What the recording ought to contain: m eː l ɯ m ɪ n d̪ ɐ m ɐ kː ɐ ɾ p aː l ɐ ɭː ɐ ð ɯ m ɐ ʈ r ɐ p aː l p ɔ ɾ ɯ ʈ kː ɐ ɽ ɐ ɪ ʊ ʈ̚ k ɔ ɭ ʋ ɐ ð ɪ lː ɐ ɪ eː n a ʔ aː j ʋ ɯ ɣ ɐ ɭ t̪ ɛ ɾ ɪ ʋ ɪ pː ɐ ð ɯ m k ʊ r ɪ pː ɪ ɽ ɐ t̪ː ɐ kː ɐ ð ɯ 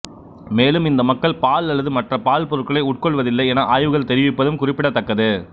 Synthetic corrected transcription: m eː l ɯ m ɪ n d̪ ɐ m ɐ kː ɐ ɭ p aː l ɐ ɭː ɐ ð ɯ m ɐ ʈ r ɐ p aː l p ɔ ɾ ɯ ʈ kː ɐ ɭ ɐ ɪ ʊ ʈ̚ k ɔ ɭ ʋ ɐ ð ɪ lː ɐ ɪ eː n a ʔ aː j ʋ ɯ ɣ ɐ ɭ t̪ ɛ ɾ ɪ ʋ ɪ pː ɐ ð ɯ m k ʊ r ɪ pː ɪ ɽ ɐ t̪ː ɐ kː ɐ ð ɯ